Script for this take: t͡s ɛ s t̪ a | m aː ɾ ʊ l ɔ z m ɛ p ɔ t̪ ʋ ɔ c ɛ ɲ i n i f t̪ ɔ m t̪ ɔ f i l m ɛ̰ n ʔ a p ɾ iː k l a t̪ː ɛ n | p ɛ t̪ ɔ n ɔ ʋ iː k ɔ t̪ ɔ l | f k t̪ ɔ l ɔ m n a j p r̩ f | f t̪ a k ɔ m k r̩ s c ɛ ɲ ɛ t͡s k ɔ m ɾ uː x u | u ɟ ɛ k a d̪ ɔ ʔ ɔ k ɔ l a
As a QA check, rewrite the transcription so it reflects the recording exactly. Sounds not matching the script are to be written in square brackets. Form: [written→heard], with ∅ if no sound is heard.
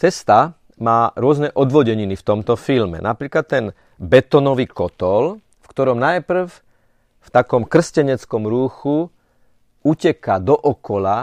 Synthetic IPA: t͡s ɛ s t̪ a | m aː ɾ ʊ [l→∅] ɔ z [m→n] ɛ [p→ʔ] ɔ [t̪→d̪] ʋ ɔ [c→ɟ] ɛ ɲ i n i f t̪ ɔ m t̪ ɔ f i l m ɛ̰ n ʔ a p ɾ iː k l a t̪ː ɛ n | [p→b] ɛ t̪ ɔ n ɔ ʋ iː k ɔ t̪ ɔ l | f k t̪ ɔ [l→ɾ] ɔ m n a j p r̩ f | f t̪ a k ɔ m k r̩ s c ɛ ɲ ɛ t͡s k ɔ m ɾ uː x u | u [ɟ→c] ɛ k a d̪ ɔ ʔ ɔ k ɔ l a